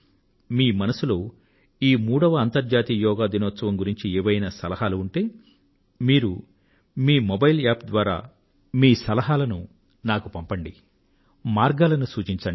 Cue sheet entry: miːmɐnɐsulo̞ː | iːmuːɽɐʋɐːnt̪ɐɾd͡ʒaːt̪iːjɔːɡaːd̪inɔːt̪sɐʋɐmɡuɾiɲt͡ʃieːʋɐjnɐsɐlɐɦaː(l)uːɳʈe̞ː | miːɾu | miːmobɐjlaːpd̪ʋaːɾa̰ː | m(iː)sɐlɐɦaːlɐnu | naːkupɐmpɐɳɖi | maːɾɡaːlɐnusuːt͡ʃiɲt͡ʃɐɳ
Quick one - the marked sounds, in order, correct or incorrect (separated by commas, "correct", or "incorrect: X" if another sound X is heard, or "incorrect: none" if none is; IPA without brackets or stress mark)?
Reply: correct, correct